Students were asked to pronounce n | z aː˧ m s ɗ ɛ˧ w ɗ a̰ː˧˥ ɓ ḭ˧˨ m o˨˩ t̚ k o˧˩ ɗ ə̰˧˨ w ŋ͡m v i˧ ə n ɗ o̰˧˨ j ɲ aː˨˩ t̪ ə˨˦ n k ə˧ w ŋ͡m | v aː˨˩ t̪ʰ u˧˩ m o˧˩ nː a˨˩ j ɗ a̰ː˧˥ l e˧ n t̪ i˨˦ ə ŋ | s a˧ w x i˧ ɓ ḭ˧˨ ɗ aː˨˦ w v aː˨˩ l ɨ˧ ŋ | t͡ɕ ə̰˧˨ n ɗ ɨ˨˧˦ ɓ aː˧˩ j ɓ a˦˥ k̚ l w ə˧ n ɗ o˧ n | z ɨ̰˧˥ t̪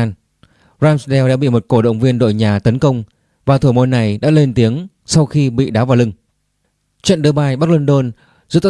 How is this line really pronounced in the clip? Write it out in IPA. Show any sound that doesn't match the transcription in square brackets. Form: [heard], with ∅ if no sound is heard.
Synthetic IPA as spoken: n | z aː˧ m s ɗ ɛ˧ w ɗ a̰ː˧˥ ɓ ḭ˧˨ m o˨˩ t̚ k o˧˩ ɗ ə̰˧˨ w ŋ͡m v i˧ ə n ɗ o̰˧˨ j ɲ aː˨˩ t̪ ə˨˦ n k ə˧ w ŋ͡m | v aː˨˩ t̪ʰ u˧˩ m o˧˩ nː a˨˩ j ɗ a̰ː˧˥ l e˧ n t̪ i˨˦ ə ŋ | s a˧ w x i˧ ɓ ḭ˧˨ ɗ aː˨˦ w v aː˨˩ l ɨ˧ ŋ | t͡ɕ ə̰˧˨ n ɗ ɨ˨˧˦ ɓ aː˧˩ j ɓ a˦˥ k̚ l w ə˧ n ɗ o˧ n | z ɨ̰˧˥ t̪